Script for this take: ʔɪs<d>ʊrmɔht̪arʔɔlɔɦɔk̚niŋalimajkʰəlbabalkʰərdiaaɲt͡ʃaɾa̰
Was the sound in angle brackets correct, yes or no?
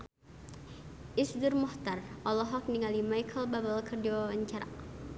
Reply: yes